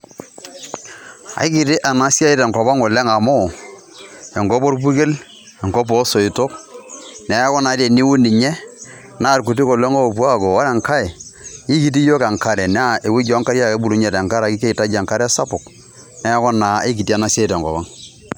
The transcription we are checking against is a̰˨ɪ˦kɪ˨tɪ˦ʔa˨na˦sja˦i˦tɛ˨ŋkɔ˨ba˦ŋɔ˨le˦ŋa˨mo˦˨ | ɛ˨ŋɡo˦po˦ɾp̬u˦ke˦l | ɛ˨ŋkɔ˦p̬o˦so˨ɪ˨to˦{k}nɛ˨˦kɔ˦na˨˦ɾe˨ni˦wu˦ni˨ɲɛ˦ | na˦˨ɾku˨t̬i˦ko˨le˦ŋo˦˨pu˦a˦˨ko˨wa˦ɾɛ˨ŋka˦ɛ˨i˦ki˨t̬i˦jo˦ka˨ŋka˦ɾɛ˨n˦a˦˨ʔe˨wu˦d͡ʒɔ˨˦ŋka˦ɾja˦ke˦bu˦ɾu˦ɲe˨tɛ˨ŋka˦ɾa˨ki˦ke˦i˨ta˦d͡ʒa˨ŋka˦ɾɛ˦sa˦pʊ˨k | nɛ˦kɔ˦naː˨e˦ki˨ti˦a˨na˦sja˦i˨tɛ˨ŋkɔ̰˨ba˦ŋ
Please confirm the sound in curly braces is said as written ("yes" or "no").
yes